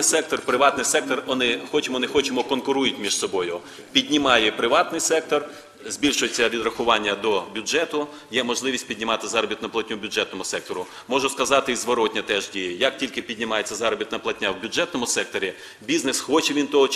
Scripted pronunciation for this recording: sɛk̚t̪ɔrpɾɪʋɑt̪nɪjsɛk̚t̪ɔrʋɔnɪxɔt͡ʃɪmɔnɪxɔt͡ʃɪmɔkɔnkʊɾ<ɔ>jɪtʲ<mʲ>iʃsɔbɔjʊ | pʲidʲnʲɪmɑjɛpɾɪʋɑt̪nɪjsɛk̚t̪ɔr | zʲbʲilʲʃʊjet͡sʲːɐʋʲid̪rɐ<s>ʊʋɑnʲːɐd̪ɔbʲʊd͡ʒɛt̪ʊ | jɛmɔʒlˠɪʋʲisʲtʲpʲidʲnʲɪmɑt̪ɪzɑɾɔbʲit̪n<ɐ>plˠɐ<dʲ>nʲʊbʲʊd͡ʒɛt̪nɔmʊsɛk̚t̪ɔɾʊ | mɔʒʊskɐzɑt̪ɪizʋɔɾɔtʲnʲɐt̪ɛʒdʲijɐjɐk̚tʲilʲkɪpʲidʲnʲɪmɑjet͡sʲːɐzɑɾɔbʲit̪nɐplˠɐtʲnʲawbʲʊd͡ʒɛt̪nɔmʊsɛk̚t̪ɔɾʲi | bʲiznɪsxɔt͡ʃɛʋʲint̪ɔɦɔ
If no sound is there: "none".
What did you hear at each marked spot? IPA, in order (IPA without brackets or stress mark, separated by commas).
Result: u, mʲ, x, ɐ, tʲ